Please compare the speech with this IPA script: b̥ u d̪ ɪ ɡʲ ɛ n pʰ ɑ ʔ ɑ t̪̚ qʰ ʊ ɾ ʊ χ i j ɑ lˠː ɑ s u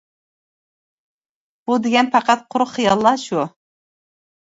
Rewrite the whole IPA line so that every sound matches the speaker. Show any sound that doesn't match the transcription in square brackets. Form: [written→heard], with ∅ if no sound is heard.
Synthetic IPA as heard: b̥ u d̪ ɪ ɡʲ ɛ n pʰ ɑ [ʔ→q] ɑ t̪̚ qʰ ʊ ɾ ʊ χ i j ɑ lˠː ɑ [s→ʃ] u